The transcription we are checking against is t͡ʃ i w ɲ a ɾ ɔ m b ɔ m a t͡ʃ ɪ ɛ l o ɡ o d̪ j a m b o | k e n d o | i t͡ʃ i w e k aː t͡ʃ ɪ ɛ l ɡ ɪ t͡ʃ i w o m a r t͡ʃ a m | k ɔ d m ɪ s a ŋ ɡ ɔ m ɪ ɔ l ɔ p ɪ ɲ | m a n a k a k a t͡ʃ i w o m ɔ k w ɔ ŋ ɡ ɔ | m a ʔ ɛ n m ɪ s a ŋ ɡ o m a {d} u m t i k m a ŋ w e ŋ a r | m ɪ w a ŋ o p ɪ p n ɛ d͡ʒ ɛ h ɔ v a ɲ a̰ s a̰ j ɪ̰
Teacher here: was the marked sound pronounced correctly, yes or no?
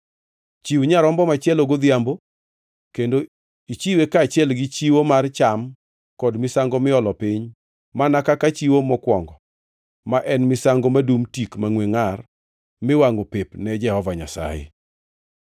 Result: yes